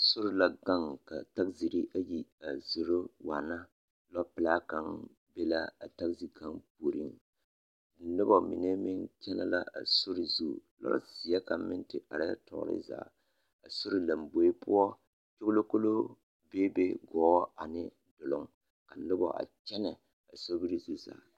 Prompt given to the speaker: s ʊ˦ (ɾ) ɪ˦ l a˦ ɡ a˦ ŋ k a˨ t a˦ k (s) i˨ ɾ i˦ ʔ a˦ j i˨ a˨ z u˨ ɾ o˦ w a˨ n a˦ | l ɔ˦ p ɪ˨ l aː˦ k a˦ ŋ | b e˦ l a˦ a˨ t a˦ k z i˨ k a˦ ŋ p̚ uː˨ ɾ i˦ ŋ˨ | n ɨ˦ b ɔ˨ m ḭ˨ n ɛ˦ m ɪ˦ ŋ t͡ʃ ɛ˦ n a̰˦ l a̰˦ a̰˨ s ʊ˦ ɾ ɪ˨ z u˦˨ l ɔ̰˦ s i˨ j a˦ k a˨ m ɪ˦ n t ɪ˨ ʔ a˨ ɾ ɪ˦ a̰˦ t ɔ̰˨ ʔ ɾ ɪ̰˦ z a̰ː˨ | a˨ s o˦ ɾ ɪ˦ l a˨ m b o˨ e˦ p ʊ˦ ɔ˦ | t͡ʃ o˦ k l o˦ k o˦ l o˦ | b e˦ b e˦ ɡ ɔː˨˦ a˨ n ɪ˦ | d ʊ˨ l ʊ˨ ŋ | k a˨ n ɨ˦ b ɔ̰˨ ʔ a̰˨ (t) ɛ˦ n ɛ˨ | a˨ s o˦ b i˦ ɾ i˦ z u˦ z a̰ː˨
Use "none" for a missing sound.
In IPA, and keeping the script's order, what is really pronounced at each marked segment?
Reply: ɾ, z, t͡ʃ

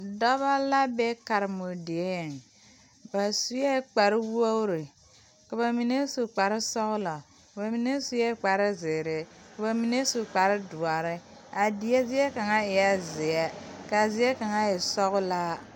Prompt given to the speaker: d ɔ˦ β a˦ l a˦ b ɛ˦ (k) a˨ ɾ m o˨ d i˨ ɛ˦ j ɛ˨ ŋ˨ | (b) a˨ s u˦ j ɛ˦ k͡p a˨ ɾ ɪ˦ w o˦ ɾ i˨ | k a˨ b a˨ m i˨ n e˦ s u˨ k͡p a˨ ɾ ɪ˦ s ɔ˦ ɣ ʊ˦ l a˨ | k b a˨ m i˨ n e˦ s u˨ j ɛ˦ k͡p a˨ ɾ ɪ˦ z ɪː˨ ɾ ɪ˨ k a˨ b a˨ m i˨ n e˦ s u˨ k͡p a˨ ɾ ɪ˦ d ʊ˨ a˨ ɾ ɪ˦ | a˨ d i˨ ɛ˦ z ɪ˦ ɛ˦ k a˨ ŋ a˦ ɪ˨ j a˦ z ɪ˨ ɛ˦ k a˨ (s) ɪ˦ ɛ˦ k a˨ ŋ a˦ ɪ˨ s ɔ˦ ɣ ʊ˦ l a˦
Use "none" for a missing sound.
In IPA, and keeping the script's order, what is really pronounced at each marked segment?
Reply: k, b, z

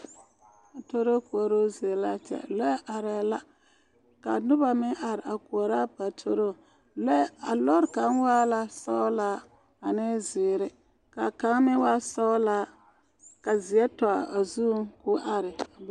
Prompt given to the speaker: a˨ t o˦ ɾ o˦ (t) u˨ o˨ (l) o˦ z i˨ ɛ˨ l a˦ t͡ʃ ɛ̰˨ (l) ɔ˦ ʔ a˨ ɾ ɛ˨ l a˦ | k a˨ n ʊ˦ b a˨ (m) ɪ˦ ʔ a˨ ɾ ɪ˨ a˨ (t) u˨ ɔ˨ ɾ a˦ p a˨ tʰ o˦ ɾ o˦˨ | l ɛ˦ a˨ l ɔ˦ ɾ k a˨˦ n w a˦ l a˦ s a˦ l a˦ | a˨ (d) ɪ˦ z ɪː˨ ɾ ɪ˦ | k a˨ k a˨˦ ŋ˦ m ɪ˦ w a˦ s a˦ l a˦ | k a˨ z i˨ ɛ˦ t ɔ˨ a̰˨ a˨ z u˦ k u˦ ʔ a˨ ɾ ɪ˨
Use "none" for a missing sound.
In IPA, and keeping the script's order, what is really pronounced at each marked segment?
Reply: k, ɾ, l, m, k, n

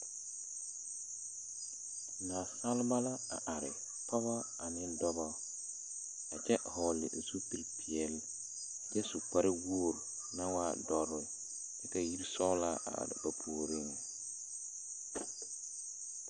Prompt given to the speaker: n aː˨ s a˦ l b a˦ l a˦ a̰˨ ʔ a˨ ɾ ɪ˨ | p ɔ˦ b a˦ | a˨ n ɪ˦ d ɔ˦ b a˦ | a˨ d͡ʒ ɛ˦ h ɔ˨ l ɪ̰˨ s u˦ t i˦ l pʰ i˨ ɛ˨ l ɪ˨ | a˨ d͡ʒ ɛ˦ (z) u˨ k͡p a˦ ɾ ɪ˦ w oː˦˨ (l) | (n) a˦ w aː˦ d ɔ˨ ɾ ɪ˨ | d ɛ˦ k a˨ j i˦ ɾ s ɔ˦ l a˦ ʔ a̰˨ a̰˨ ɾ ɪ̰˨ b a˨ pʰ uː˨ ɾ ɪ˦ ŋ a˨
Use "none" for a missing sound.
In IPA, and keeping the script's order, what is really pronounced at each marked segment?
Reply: s, ɾ, n

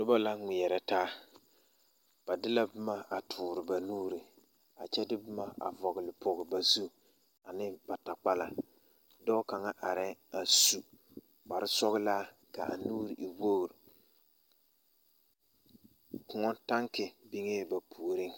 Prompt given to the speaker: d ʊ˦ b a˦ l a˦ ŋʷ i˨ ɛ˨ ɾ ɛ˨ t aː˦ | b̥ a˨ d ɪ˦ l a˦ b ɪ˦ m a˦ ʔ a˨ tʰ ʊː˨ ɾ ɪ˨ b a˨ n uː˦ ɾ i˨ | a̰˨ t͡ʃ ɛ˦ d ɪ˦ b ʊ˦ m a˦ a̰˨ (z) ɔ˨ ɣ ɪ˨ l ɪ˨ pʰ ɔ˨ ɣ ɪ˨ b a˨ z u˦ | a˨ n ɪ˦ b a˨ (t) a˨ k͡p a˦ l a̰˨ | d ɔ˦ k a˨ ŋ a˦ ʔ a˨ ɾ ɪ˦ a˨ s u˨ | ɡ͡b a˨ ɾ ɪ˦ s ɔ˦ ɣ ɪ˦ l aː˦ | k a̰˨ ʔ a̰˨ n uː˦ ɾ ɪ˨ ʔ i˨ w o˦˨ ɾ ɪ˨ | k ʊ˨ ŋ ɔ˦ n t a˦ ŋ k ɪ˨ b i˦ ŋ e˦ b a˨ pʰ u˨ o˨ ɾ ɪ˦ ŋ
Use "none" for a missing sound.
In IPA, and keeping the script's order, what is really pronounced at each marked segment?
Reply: v, t

